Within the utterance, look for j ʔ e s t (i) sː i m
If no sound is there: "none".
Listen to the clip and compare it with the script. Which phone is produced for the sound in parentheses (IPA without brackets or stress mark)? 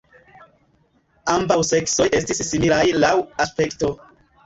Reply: i